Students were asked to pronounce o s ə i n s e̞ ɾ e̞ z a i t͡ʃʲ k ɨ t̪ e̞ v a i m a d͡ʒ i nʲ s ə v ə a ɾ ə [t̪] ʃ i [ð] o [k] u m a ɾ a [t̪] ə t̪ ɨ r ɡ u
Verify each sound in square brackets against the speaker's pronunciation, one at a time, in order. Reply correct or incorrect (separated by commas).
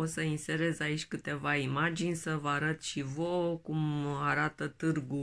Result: correct, incorrect, correct, correct